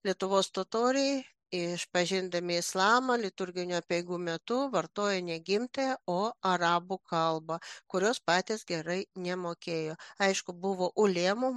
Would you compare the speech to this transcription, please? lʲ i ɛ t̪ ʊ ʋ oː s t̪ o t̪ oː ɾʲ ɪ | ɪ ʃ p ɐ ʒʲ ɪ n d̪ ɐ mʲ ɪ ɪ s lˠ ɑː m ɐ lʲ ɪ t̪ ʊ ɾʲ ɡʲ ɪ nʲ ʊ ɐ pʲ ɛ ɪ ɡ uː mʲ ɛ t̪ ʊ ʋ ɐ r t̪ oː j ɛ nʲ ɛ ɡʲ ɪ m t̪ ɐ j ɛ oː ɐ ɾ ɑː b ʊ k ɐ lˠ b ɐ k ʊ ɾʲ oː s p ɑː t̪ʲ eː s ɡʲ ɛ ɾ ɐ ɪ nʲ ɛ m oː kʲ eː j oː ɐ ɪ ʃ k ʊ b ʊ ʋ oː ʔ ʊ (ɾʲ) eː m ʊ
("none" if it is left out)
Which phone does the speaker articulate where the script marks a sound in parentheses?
lʲ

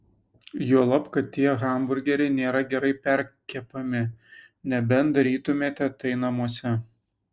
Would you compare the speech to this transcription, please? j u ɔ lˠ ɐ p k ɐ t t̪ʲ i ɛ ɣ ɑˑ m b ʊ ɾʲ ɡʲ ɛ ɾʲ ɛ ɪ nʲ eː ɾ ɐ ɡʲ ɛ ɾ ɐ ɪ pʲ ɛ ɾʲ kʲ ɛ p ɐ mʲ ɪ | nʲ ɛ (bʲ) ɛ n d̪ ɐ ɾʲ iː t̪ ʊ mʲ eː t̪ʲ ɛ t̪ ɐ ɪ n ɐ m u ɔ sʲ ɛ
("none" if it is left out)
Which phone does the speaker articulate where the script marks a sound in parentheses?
bʲ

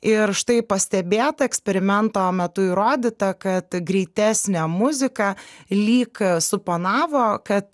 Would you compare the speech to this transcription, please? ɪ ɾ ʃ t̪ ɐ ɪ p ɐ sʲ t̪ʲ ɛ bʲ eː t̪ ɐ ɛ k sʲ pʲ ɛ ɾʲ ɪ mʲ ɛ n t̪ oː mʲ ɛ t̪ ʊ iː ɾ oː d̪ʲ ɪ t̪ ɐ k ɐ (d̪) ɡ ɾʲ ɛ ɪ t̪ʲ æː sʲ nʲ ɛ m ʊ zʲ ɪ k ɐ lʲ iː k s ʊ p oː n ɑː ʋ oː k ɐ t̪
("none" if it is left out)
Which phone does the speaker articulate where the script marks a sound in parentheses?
t̪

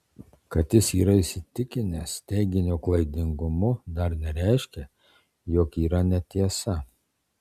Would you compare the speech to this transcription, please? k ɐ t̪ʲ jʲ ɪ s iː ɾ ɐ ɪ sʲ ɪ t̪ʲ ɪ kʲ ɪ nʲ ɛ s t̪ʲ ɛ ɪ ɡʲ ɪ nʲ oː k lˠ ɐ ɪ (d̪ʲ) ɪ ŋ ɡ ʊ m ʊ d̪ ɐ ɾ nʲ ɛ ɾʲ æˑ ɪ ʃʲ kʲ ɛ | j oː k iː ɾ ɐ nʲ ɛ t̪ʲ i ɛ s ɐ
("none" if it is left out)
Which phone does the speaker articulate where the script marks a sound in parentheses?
d̪ʲ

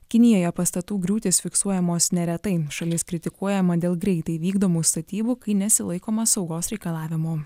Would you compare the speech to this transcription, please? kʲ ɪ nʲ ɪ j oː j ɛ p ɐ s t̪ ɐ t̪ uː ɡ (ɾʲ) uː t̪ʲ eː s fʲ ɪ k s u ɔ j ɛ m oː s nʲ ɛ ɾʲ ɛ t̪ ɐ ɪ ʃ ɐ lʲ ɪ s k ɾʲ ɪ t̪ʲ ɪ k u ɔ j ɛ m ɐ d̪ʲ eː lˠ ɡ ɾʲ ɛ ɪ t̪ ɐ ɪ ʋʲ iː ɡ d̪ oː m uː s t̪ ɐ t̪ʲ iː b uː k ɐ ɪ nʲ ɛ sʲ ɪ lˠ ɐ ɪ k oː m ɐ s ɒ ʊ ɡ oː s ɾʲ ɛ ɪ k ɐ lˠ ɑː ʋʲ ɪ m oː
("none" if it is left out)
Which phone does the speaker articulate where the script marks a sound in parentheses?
ɾʲ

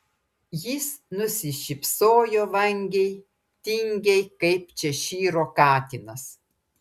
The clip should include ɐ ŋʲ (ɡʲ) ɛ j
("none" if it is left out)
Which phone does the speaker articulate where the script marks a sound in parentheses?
ɡʲ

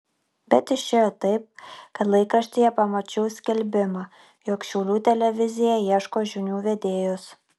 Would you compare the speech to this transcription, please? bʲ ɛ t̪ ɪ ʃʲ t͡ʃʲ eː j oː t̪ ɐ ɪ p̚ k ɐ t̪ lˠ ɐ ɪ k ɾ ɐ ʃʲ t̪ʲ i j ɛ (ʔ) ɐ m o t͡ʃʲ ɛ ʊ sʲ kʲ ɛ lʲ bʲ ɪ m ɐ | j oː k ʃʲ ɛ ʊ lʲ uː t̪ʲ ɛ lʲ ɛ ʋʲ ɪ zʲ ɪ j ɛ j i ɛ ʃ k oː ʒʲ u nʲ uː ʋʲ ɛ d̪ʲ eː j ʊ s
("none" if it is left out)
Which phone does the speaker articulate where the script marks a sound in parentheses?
p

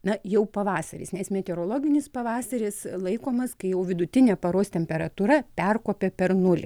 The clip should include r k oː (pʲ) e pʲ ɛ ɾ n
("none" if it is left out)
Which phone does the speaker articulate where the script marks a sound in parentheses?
pʲ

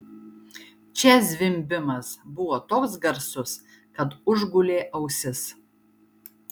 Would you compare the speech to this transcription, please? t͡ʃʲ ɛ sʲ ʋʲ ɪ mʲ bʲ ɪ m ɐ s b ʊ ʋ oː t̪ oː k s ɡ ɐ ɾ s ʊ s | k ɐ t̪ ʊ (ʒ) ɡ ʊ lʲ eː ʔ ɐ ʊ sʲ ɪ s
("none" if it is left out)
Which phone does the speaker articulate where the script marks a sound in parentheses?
ʒ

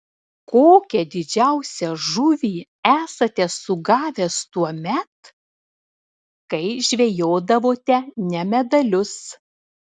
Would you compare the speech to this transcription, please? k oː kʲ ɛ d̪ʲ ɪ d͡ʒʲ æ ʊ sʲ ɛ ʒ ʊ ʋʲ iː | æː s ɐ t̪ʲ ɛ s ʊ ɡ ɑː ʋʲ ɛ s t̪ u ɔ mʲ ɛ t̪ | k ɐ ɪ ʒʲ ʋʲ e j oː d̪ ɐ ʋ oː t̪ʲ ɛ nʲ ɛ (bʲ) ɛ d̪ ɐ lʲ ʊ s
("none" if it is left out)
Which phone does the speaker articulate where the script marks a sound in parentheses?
mʲ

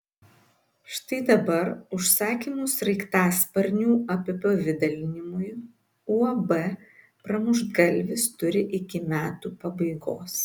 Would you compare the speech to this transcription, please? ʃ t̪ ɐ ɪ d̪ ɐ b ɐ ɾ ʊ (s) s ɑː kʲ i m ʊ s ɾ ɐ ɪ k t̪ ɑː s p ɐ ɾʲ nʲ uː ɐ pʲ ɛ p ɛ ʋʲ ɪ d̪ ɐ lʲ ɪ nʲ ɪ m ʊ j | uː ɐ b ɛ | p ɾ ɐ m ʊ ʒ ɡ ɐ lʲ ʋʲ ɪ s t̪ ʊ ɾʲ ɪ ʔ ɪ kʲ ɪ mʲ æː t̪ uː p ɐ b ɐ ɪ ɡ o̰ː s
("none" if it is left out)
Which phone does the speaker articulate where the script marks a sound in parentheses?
ʃ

